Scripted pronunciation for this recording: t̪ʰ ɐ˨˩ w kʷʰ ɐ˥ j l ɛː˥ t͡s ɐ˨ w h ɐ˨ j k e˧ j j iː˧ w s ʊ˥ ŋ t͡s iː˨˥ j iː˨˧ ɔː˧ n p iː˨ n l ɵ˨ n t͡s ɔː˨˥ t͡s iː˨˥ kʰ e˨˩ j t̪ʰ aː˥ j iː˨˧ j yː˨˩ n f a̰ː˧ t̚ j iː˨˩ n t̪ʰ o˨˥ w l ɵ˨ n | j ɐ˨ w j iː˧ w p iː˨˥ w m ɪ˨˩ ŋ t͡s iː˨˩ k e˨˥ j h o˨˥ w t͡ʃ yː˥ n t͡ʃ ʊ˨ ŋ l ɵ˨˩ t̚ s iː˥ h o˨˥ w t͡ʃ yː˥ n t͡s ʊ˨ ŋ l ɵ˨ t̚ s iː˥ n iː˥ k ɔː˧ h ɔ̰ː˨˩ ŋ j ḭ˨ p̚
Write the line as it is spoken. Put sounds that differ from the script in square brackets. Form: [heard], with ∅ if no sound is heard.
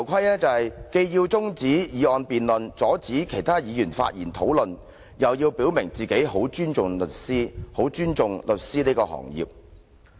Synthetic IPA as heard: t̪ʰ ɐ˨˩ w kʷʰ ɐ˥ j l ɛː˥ t͡s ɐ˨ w h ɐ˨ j k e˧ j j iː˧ w [t͡s] ʊ˥ ŋ t͡s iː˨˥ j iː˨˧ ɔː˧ n p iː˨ n l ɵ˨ n t͡s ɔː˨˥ t͡s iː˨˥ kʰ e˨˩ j t̪ʰ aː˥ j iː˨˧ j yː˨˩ n f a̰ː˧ t̚ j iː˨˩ n t̪ʰ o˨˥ w l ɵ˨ n | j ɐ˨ w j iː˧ w p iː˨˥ w m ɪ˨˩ ŋ t͡s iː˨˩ k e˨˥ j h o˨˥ w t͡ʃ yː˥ n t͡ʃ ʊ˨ ŋ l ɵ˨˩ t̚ s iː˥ h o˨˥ w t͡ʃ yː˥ n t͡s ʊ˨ ŋ l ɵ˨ t̚ s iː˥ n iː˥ k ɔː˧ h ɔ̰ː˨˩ ŋ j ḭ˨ p̚